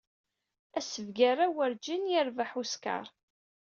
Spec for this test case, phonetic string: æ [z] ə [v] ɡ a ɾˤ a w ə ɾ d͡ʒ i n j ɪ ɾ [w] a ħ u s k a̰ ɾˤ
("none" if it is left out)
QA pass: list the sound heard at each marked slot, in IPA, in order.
s, v, v

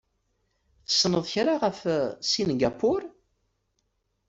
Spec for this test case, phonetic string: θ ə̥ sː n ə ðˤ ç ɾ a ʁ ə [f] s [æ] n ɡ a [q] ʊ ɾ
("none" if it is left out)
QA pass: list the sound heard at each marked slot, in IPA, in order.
f, i, p

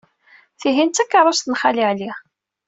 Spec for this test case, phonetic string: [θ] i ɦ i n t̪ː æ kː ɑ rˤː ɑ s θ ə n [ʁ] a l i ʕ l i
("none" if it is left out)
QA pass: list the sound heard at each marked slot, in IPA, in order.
θ, χ

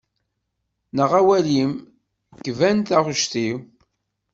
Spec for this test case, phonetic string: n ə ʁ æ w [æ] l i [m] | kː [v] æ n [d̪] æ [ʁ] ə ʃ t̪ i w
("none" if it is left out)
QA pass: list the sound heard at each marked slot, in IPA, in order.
æ, m, v, t̪, ʁ

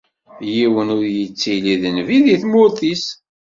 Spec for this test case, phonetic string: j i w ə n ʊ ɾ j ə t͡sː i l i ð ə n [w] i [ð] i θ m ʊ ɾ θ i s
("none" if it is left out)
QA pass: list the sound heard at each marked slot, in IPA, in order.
v, ð

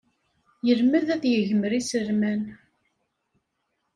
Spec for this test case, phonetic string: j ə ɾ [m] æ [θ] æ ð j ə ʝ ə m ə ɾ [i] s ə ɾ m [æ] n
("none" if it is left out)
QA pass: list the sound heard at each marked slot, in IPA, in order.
m, ð, i, æ

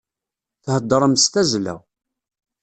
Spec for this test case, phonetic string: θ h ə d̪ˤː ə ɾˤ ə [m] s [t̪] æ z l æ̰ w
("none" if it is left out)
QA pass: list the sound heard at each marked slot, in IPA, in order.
m, t̪

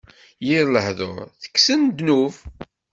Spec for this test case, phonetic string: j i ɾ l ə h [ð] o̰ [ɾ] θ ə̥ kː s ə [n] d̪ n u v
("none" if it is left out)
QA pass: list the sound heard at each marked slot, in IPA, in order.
ð, ɾ, n

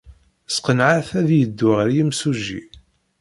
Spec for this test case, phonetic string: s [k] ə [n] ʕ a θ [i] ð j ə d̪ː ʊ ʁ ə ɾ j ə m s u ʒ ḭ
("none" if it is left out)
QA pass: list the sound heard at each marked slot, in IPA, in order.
q, n, æ

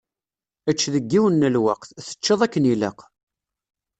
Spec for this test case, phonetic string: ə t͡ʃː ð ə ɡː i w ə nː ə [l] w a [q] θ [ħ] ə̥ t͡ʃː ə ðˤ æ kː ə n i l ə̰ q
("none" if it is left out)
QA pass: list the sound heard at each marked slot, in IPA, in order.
l, q, θ

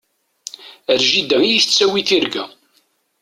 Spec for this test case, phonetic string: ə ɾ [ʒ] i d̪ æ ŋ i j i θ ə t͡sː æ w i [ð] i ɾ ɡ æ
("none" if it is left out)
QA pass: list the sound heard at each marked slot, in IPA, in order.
ʒ, θ

